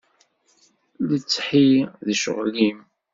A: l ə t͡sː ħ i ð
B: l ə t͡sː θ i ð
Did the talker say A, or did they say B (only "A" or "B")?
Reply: A